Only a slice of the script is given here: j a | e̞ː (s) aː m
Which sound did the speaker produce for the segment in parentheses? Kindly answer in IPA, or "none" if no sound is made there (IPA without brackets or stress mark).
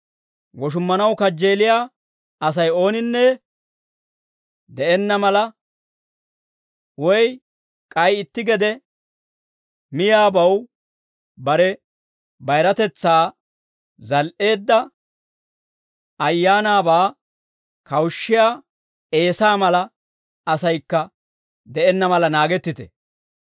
s